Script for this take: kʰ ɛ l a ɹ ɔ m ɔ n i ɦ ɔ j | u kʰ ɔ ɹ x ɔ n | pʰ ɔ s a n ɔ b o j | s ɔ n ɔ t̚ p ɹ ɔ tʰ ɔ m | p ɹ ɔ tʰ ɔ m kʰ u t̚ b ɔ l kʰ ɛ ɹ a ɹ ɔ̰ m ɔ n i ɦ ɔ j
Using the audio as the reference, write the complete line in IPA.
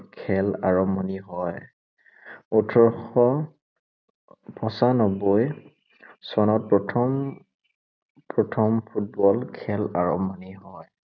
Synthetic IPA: kʰ ɛ l a ɹ ɔ m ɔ n i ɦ ɔ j | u tʰ ɔ ɹ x ɔ | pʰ ɔ s a n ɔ b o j | s ɔ n ɔ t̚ p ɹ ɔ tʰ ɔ m | p ɹ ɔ tʰ ɔ m pʰ u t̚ b ɔ l kʰ ɛ l a ɹ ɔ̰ m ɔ n i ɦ ɔ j

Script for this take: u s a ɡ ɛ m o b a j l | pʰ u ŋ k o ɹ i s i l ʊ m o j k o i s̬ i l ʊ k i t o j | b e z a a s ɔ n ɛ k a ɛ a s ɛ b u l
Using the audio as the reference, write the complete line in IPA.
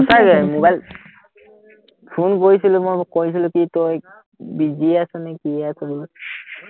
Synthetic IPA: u s a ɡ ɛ m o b a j l | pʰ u n k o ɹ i s i l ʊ m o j k o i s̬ i l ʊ k i t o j | b i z i a s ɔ n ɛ k i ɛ a s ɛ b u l

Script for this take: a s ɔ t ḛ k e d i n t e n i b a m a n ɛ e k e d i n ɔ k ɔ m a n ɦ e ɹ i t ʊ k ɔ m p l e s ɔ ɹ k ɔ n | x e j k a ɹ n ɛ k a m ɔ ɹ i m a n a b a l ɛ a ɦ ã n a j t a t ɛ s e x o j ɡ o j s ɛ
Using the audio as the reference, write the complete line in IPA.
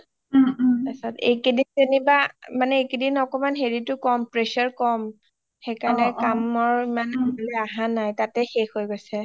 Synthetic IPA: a s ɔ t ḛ k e d i n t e n i b a m a n ɛ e k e d i n ɔ k ɔ m a n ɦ e ɹ i t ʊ k ɔ m p ɹ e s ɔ ɹ k ɔ m | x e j k a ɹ n ɛ k a m ɔ ɹ i m a n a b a l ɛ a ɦ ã n a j t a t ɛ x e x o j ɡ o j s ɛ

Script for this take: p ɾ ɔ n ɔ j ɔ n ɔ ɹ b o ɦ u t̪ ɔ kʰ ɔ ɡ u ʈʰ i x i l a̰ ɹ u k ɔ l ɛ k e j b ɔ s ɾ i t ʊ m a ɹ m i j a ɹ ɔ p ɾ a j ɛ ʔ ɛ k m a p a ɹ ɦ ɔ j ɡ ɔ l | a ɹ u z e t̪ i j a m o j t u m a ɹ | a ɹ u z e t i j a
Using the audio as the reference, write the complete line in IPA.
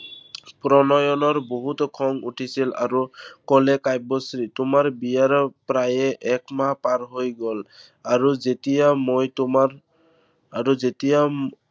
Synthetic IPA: p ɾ ɔ n ɔ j ɔ n ɔ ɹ b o ɦ u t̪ ɔ kʰ ɔ ŋ u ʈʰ i s i l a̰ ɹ u k ɔ l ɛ k a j b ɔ s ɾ i t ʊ m a ɹ b i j a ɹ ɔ p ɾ a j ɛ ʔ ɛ k m a p a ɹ ɦ o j ɡ ɔ l | a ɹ u z e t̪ i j a m o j t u m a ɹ | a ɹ u z e t i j a

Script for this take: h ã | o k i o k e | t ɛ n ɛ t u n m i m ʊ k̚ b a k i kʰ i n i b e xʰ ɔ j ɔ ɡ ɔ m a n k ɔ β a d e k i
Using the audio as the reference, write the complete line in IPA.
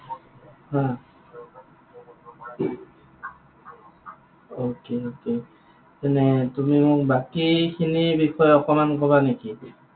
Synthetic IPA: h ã | o k e o k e | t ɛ n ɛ t u m i m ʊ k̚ b a k i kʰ i n i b i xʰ ɔ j ɔ k ɔ m a n k ɔ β a n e k i

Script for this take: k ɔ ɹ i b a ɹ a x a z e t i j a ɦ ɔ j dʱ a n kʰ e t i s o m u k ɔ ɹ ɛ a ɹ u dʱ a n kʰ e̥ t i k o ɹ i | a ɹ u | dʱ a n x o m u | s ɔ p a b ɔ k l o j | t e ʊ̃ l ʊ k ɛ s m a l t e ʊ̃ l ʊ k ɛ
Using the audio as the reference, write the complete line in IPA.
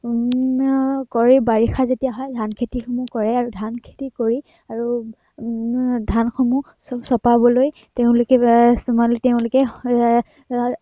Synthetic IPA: k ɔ ɹ i b a ɹ i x a z e t i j a ɦ ɔ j dʱ a n kʰ e t i x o m u k ɔ ɹ ɛ a ɹ u dʱ a n kʰ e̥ t i k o ɹ i | a ɹ u | dʱ a n x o m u | s ɔ p a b ɔ l o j | t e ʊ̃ l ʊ k ɛ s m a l t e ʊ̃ l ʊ k ɛ

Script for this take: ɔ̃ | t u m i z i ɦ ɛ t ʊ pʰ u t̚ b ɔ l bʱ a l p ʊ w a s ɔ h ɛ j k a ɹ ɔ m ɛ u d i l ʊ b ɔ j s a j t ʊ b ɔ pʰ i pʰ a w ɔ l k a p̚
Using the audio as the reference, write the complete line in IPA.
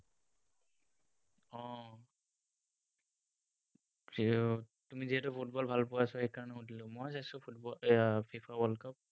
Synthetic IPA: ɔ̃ | t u m i z i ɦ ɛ t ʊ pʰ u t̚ b ɔ l bʱ a l p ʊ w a s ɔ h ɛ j k a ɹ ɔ n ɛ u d i l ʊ m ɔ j s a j s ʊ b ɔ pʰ i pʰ a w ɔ l k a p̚

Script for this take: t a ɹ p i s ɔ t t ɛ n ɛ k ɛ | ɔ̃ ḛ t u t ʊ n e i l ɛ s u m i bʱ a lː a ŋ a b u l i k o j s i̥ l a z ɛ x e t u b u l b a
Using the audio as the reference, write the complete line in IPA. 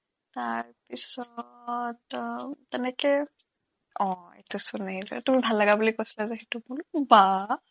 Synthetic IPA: t a ɹ p i s ɔ t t ɛ n ɛ k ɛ | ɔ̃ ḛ t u s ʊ n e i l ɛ t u m i bʱ a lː a ɡ a b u l i k o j s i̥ l a z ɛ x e t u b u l b a

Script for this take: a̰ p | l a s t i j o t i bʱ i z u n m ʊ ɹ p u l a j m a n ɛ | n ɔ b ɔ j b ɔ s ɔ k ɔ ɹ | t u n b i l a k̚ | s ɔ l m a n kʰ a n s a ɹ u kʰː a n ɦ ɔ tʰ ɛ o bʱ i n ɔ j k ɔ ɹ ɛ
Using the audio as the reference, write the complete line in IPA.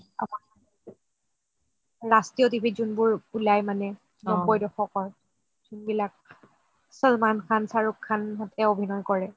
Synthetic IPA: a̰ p | ɹ a s t i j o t i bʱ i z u n b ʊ ɹ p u l a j m a n ɛ | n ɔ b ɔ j d ɔ x ɔ k ɔ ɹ | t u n b i l a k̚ | s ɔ l m a n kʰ a n s a ɹ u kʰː a n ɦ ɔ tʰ ɛ o bʱ i n ɔ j k ɔ ɹ ɛ

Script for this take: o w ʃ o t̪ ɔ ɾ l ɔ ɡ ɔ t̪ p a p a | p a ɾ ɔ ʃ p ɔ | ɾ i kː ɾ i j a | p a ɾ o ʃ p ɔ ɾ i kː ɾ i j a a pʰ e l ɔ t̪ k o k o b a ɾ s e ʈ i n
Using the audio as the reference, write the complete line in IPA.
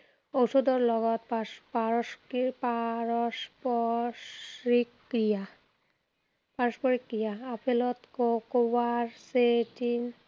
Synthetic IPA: o w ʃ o d̪ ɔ ɾ l ɔ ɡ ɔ t̪ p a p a | p a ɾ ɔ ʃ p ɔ | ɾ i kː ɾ i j a | p a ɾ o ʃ p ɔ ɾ i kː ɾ i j a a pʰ e l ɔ t̪ k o k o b a ɾ s e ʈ i n

